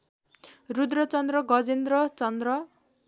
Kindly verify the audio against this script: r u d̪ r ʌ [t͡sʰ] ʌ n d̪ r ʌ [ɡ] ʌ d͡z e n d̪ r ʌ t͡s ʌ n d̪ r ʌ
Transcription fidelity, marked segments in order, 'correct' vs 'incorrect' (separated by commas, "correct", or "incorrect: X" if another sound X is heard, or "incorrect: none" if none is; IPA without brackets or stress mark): incorrect: t͡s, correct